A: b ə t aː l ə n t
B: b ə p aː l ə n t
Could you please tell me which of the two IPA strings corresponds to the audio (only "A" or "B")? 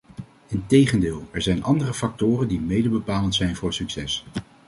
B